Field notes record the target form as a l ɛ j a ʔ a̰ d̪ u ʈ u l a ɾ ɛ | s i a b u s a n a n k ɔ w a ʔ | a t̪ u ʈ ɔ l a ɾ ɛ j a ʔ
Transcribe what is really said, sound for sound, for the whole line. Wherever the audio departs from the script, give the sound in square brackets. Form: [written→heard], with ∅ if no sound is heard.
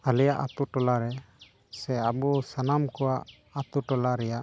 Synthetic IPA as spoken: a l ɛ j a ʔ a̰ [d̪→t̪] u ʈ [u→ɔ] l a ɾ ɛ | s [i→ɛ] a b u s a n a [n→m] k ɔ w a ʔ | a t̪ u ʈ ɔ l a ɾ ɛ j a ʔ